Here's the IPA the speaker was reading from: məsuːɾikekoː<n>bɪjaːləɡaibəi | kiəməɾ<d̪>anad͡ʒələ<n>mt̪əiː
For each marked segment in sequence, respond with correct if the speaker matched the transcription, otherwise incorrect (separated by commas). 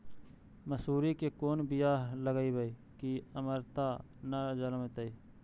correct, incorrect, incorrect